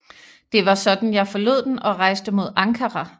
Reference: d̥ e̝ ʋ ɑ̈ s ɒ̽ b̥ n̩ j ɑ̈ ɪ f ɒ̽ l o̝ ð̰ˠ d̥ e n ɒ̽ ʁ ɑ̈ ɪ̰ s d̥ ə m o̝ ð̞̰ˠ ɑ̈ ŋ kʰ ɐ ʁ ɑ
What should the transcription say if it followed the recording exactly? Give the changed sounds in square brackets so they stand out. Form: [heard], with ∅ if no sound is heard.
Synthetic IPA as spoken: d̥ e̝ ʋ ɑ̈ s ɒ̽ [d̥] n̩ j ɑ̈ ɪ f ɒ̽ l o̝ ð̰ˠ d̥ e n ɒ̽ ʁ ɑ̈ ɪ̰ s d̥ ə m o̝ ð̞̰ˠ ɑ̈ ŋ kʰ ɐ ʁ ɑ